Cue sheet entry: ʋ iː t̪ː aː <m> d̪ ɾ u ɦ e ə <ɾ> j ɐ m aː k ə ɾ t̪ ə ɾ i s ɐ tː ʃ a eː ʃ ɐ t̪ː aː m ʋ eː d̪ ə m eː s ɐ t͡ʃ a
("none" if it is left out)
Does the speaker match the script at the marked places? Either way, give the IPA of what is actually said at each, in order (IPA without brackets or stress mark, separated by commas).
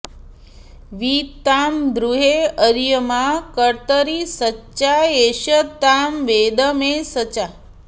m, ɾ